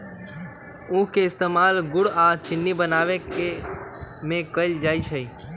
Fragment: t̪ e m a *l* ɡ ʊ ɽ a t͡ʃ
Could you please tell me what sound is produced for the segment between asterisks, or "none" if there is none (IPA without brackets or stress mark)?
l